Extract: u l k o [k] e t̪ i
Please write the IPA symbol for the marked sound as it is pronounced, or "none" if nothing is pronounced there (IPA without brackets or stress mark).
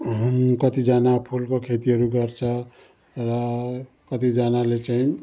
kʰ